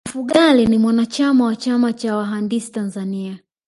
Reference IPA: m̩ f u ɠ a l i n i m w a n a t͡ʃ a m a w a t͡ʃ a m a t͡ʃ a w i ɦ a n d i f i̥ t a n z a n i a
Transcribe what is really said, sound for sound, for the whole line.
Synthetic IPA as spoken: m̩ f u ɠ a l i n i m w a n a t͡ʃ a m a w a t͡ʃ a m a t͡ʃ a w a ɦ a n d i s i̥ t a n z a n i a